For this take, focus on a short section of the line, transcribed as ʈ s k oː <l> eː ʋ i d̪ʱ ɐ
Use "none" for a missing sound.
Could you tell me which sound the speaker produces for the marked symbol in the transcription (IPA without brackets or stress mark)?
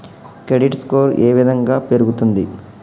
ɾ